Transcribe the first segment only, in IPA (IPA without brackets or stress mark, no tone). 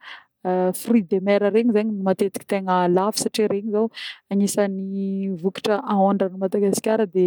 f